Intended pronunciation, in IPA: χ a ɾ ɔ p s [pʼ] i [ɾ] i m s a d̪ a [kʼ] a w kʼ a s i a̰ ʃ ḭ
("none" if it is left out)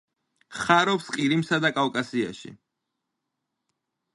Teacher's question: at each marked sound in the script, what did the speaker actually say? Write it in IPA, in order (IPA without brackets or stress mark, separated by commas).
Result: qʼ, ɾ, kʼ